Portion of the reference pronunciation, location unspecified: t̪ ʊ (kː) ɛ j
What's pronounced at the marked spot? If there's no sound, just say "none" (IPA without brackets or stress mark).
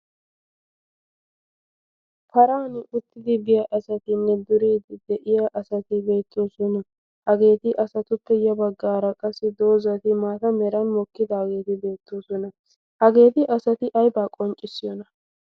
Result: pː